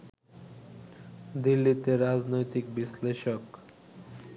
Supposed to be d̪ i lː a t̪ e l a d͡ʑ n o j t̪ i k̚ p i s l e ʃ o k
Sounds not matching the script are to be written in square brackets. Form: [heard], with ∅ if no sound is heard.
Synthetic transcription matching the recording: d̪ i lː [i] t̪ e [ɾ] a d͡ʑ n o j t̪ i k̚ [b] i s l e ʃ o k